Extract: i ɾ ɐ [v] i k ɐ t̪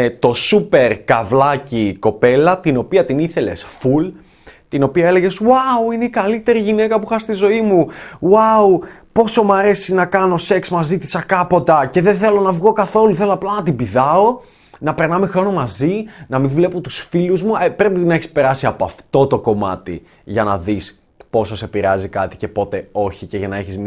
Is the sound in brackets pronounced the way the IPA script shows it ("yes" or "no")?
no